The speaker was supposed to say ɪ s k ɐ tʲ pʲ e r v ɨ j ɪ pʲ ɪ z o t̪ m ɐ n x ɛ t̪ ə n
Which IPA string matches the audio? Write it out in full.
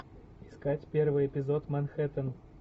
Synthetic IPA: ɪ s k a tʲ pʲ e r v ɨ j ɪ pʲ ɪ z o t̪ m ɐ n x ɛ t̪ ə n